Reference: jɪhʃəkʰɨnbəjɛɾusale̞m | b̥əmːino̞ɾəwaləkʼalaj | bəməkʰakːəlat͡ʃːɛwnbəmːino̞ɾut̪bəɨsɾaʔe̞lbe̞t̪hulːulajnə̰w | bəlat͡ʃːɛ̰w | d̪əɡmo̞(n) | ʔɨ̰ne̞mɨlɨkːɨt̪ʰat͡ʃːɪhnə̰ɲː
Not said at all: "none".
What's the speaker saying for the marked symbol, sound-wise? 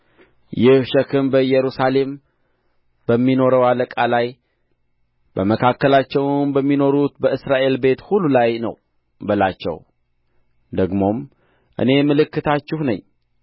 m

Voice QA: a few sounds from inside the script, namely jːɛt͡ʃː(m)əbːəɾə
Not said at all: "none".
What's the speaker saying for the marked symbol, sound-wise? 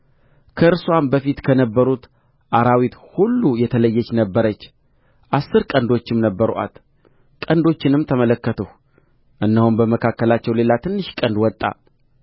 n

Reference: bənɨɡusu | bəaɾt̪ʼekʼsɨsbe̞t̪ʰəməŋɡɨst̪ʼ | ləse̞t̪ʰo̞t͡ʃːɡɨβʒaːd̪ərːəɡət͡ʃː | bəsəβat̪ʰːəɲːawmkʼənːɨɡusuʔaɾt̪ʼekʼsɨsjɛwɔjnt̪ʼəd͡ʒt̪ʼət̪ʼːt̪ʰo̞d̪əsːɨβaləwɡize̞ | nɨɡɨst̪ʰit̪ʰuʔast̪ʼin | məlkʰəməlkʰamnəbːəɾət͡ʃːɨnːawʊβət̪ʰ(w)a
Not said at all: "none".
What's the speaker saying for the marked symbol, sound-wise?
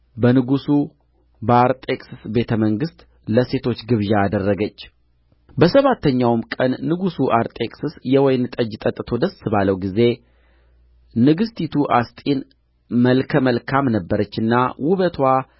w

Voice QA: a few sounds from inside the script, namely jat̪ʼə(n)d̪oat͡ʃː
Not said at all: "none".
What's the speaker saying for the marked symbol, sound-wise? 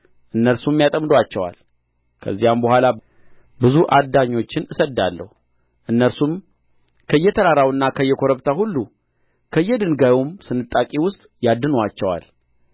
m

